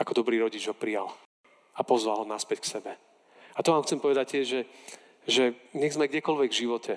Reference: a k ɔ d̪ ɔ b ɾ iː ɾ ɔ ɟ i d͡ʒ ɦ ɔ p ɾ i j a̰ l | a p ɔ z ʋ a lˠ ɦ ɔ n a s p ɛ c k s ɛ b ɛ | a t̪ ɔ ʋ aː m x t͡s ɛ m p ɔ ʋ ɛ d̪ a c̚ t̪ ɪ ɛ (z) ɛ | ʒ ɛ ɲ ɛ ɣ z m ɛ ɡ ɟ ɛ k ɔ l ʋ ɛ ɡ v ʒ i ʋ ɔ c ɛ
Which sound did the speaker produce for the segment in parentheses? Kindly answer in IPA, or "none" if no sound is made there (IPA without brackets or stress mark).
ʒ